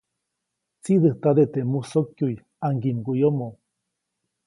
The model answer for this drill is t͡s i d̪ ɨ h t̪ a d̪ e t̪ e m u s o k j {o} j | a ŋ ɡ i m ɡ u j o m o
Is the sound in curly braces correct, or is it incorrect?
incorrect